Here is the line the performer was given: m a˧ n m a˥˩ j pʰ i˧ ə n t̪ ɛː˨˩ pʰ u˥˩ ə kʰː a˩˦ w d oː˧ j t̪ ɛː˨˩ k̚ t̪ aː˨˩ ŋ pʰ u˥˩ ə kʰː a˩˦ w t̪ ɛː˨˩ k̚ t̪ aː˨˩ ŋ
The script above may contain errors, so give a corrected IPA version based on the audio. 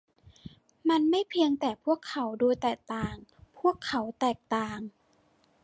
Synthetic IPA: m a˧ n m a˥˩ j pʰ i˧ ə ŋ t̪ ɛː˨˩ pʰ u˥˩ ə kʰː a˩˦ w d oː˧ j t̪ ɛː˨˩ k̚ t̪ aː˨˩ ŋ pʰ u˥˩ ə kʰː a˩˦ w t̪ ɛː˨˩ k̚ t̪ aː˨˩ ŋ